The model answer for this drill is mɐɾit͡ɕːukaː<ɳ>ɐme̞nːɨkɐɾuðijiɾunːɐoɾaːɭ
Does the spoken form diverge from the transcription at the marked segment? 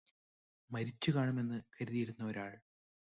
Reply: no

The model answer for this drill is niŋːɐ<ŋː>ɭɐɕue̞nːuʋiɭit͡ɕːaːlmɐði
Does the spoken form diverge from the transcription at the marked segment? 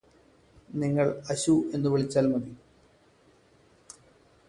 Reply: yes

